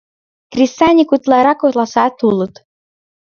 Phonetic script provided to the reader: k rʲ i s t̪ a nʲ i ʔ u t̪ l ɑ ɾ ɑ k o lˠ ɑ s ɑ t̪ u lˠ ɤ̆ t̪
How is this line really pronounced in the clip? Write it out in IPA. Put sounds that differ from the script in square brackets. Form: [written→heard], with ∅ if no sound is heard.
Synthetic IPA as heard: k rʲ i s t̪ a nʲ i [ʔ→k] u t̪ l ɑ ɾ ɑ k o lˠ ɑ s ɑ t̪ u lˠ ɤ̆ t̪

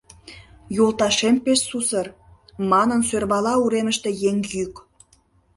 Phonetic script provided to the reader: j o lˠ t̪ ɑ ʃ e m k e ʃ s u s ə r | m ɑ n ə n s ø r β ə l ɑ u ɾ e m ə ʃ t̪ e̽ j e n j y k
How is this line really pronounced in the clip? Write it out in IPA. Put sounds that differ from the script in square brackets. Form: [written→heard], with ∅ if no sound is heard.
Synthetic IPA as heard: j o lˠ t̪ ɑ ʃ e m [k→p] e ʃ s u s ə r | m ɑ n ə n s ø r β [ə→ɑ] l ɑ u ɾ e m ə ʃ t̪ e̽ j e [n→ŋ] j y k

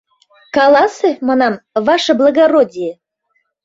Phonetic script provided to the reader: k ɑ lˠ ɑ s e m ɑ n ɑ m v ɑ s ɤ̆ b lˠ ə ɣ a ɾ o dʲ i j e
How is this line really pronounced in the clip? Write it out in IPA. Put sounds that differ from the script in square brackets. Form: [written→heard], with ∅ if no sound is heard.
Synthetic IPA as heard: k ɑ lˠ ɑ s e m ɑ n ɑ m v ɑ [s→ʃ] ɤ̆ b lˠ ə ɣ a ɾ o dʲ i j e

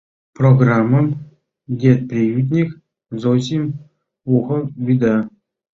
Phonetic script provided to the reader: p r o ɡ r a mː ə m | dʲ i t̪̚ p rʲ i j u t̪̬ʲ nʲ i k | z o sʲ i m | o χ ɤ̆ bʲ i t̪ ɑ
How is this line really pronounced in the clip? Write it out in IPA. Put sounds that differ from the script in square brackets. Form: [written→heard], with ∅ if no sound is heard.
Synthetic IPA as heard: p r o ɡ r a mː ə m | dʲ [i→e] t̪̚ p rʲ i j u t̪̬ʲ nʲ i k | z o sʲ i m | [o→u] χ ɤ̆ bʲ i [t̪→d̪] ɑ

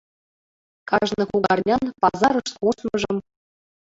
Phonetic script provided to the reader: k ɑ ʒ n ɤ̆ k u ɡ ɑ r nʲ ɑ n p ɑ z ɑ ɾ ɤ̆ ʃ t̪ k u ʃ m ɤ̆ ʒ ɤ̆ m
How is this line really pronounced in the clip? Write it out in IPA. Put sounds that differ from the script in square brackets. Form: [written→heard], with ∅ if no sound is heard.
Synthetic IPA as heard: k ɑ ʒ n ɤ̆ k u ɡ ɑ r nʲ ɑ n p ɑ z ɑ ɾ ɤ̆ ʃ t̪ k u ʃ m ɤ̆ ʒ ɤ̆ m

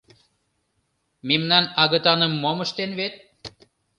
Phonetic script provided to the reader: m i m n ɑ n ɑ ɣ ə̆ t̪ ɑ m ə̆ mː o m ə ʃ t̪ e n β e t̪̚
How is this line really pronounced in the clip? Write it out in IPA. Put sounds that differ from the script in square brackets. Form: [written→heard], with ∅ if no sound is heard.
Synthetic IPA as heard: m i m n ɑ n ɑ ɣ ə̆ t̪ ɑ [m→n] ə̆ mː o m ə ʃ t̪ e n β e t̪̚

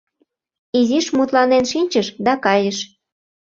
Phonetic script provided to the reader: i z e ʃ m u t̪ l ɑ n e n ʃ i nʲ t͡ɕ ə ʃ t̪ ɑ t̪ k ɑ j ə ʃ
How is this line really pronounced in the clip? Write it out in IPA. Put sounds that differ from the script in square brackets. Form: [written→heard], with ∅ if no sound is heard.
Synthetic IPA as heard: i z [e→i] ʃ m u t̪ l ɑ n e n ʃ i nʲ t͡ɕ ə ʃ [t̪→d̪] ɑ [t̪→∅] k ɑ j ə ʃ

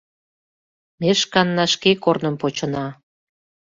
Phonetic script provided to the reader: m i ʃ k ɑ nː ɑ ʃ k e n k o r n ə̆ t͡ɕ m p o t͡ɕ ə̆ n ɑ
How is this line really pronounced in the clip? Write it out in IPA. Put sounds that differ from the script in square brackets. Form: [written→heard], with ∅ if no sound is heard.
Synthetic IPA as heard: m [i→e] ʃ k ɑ nː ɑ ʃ k e [n→∅] k o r n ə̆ [t͡ɕ→∅] m p o t͡ɕ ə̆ n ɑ

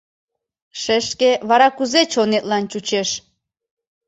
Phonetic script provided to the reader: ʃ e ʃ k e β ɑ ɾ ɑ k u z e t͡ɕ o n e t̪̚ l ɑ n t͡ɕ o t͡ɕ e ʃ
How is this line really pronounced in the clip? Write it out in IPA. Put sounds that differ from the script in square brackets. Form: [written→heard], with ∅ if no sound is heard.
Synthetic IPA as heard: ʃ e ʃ k e β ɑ ɾ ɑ k u z e t͡ɕ o n e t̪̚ l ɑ n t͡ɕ [o→u] t͡ɕ e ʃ

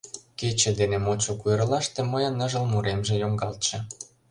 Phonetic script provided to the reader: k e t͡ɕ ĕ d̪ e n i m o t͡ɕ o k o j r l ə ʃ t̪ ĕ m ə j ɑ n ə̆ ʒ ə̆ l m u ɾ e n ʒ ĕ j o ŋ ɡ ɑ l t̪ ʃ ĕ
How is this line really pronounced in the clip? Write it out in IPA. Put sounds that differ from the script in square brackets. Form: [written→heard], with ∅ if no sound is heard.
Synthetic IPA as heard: k e t͡ɕ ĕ d̪ e n [i→e] m o t͡ɕ o k [o→u] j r l [ə→ɑ] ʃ t̪ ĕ m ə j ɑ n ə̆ ʒ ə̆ l m u ɾ e [n→m] ʒ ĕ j o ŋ ɡ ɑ l t̪ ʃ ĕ

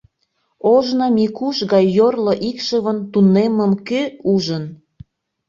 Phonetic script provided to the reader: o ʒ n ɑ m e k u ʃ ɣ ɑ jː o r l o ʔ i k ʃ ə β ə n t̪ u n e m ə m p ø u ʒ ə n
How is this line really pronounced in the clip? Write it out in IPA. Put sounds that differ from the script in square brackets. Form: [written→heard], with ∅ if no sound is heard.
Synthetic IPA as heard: o ʒ n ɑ m [e→i] k u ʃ ɣ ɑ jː o r l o ʔ i k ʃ ə β ə n t̪ u n e m ə m [p→k] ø u ʒ ə n

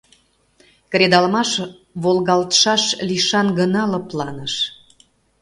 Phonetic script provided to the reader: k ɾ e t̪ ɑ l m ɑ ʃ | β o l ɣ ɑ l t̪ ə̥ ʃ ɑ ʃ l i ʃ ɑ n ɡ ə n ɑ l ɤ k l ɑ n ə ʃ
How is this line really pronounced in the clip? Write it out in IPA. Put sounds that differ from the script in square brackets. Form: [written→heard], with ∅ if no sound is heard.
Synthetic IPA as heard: k ɾ e [t̪→d̪] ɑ l m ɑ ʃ | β o l ɣ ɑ l t̪ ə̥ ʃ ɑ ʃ l i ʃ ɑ n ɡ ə n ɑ l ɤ [k→p] l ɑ n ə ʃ

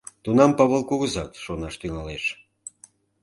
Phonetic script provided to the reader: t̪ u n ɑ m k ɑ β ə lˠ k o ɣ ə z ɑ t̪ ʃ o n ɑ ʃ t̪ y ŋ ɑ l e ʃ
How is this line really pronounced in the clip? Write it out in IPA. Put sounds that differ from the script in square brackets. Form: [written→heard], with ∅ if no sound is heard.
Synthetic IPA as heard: t̪ u n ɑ m [k→p] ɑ β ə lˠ k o ɣ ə z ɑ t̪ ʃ o n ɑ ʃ t̪ y ŋ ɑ l e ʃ

